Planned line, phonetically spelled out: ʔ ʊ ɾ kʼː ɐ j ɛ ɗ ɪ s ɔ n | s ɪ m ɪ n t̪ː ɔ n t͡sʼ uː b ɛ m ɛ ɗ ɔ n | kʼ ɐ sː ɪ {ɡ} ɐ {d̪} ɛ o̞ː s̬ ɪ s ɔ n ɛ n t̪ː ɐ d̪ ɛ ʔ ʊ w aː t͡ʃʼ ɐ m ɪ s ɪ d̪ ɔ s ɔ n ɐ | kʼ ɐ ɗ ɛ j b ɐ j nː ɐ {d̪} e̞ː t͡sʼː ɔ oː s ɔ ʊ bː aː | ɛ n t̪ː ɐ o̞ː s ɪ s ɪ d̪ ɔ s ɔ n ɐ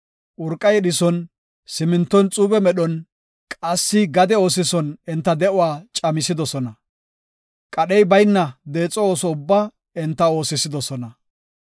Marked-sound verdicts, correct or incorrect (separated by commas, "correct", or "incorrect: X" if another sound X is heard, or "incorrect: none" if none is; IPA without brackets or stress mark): correct, correct, correct